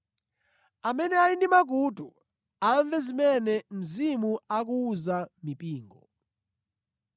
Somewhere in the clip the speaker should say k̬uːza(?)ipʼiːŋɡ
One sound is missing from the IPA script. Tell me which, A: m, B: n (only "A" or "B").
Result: A